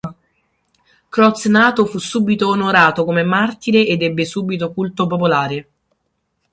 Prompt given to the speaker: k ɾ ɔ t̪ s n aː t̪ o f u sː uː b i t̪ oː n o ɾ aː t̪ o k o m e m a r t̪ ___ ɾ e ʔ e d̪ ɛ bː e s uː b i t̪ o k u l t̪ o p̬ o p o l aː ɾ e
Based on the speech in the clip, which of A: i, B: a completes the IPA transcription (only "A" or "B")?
A